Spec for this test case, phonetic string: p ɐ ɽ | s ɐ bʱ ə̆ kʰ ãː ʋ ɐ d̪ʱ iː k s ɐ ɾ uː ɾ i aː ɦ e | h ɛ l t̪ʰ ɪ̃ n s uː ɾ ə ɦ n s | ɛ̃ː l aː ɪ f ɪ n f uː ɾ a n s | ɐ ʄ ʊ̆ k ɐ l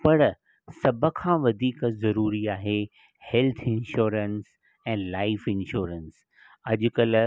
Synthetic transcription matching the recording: p ɐ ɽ | s ɐ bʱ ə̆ kʰ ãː ʋ ɐ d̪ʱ iː k z ɐ ɾ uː ɾ i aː ɦ e | h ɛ l t̪ʰ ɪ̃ n ʃ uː ɾ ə n s | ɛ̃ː l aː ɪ f ɪ n ʃ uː ɾ ə n s | ɐ ʄ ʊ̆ k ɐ l